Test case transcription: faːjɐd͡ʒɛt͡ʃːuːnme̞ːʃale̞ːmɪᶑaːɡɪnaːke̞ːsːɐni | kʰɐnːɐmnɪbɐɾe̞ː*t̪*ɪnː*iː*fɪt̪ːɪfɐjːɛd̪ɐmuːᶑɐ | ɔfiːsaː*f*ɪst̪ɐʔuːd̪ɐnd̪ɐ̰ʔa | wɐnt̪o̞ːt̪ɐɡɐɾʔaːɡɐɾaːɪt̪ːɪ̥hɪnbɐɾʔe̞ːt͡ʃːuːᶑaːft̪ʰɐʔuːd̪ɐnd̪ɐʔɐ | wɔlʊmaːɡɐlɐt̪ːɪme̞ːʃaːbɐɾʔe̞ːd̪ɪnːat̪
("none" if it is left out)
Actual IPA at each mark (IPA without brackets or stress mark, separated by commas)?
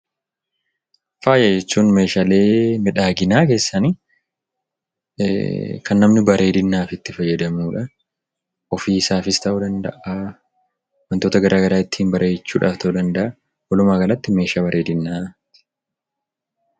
d̪, aː, f